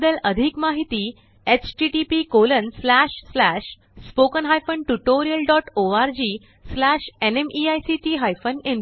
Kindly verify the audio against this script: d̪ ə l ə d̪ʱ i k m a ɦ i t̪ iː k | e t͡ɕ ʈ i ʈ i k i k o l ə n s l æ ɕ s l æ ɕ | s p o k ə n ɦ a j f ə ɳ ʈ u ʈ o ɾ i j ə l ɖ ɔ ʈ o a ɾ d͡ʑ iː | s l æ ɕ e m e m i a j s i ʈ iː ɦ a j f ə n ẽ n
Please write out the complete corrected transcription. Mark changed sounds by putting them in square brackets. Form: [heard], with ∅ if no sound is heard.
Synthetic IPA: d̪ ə l ə d̪ʱ i k m a ɦ i t̪ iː [∅] | e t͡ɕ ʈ i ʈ i [p] i k o l ə n s l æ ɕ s l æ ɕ | s p o k ə n ɦ a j f ə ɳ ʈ u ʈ o ɾ i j ə l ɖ ɔ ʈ o a ɾ d͡ʑ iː | s l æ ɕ e [n] e m i a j s i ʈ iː ɦ a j f ə n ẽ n

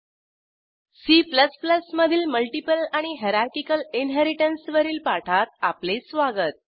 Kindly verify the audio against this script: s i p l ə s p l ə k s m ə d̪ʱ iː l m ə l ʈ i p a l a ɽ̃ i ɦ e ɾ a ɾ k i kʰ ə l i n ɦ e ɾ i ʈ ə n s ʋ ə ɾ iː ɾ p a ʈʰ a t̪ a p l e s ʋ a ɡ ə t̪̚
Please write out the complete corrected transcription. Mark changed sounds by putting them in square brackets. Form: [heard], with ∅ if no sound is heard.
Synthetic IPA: s i p l ə s p l ə [∅] s m ə d̪ʱ iː l m ə l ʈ i p [ə] l a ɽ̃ i ɦ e ɾ a ɾ k i [k] ə l i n ɦ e ɾ i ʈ ə n s ʋ ə ɾ iː [l] p a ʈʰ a t̪ a p l e s ʋ a ɡ ə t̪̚

